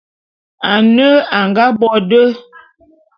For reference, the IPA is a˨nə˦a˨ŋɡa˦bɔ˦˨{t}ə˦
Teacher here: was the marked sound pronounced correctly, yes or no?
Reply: no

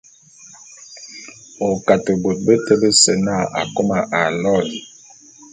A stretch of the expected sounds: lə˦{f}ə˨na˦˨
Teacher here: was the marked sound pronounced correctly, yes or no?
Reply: no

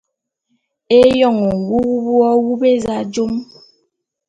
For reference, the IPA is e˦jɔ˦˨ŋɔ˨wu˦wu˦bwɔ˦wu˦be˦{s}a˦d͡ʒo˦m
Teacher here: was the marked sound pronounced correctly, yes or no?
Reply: no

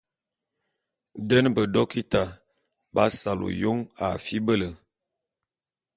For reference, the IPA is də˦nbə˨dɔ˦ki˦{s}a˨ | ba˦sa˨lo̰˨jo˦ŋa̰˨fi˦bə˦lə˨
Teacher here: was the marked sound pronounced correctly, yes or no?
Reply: no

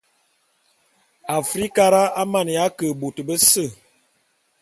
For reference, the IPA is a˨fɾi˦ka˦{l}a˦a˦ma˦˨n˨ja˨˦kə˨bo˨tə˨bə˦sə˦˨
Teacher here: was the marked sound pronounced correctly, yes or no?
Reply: no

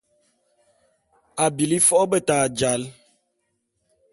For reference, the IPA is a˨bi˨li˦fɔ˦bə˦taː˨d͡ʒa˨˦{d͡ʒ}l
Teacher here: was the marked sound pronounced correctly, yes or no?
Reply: no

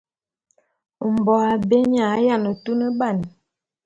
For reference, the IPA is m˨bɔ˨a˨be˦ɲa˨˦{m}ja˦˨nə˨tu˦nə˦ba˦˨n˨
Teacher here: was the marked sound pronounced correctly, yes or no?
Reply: no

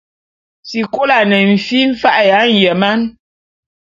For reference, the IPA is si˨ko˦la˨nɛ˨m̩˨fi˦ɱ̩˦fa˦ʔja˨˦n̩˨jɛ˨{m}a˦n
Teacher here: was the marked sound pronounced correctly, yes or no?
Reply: yes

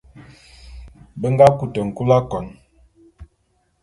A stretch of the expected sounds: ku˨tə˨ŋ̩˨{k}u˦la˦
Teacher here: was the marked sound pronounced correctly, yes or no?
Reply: yes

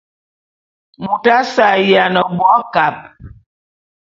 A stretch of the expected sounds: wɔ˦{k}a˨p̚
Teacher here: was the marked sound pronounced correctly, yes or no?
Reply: yes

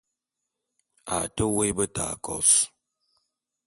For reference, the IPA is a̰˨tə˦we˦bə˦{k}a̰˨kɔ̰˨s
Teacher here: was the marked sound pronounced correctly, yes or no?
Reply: no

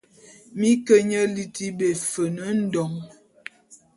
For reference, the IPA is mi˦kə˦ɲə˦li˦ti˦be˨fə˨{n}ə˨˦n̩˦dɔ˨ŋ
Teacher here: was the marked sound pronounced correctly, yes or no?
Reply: yes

